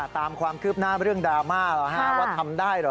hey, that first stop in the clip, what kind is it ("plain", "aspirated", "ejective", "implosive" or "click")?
plain